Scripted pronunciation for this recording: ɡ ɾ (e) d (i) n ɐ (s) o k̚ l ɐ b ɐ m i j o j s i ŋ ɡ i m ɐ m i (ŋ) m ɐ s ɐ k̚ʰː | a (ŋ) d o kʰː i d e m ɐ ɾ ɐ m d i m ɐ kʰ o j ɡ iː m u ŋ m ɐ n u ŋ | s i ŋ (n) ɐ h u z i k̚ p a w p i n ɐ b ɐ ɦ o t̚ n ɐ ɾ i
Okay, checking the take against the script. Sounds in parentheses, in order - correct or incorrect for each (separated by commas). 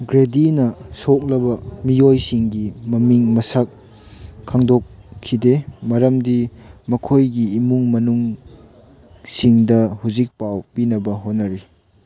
correct, correct, correct, correct, correct, incorrect